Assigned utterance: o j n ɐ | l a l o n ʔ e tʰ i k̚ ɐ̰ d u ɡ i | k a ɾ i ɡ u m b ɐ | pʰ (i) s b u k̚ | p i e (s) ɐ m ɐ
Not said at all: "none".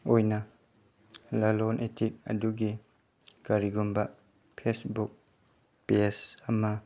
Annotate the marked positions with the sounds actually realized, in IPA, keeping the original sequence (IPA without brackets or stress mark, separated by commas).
e, s